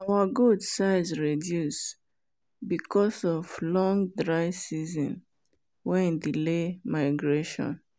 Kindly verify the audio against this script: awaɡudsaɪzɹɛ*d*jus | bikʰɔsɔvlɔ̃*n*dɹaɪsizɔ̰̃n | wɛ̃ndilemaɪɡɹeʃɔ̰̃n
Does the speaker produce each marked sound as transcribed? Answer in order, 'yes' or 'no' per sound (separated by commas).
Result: yes, no